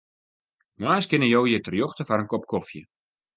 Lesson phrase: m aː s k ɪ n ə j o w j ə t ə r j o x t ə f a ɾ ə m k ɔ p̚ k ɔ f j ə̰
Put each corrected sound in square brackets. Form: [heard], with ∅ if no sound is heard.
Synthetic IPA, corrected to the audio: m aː s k ɪ n ə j o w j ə t ə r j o x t ə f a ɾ ə [n] k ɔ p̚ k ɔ f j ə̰

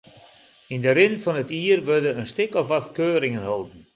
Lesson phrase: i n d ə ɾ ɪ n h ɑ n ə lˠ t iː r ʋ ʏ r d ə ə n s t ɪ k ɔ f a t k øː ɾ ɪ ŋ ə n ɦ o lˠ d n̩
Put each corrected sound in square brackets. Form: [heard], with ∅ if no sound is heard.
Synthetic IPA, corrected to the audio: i n d ə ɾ ɪ n [f] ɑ n ə [∅] t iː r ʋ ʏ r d ə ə n s t ɪ k ɔ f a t k øː ɾ ɪ ŋ ə n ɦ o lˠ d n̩

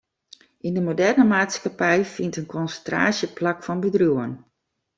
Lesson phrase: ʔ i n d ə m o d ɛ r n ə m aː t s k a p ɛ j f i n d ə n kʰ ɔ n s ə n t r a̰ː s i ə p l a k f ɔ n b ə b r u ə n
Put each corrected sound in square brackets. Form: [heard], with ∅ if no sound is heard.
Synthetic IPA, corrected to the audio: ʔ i n d ə m o d ɛ r n ə m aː t s k a p ɛ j f i n [t] ə n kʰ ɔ n s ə n t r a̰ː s [j] ə p l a k f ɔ n b ə [d] r u ə n

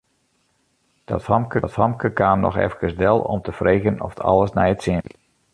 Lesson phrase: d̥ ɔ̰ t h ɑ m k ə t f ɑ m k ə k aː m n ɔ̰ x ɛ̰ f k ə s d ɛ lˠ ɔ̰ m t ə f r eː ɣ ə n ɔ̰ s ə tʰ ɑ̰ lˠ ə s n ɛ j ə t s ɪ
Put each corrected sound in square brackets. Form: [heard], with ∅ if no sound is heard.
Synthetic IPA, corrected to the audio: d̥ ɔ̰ t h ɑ m k ə t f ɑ m k ə k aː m n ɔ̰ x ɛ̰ f k ə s d ɛ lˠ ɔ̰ m t ə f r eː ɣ ə n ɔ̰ [f] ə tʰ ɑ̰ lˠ ə s n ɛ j ə t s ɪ

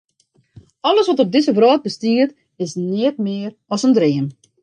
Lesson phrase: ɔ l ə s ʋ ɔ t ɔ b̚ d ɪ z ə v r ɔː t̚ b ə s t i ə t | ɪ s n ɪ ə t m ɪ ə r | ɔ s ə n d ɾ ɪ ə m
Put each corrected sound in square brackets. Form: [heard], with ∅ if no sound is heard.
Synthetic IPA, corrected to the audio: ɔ l ə s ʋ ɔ t ɔ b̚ d ɪ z ə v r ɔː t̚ b ə s t i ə t | ɪ s n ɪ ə t m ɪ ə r | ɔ s ə n d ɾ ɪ ə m

